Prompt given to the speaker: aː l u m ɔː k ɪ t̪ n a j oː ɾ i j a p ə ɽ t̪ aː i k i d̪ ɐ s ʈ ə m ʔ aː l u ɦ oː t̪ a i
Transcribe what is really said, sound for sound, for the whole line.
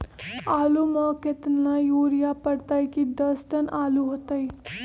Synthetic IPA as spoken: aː l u m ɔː k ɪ t̪ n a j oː ɾ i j a p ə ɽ t̪ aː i k i d̪ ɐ s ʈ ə n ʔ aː l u ɦ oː t̪ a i